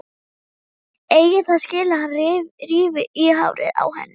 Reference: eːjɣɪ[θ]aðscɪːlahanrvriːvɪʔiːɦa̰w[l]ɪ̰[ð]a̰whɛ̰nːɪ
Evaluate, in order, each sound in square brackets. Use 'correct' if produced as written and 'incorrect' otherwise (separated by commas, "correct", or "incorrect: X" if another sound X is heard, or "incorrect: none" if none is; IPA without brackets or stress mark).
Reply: correct, incorrect: ɾ, correct